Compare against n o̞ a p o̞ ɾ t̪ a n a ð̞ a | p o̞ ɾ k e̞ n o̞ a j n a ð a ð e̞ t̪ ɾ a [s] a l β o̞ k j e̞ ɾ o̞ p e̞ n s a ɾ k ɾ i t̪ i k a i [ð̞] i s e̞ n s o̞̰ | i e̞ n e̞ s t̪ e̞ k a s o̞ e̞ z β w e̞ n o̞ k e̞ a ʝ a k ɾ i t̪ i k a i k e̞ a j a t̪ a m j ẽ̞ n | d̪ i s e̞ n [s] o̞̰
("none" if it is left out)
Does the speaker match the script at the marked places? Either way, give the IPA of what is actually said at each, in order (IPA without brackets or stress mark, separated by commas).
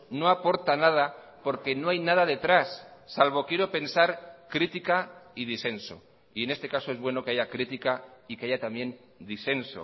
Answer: sː, ð̞, s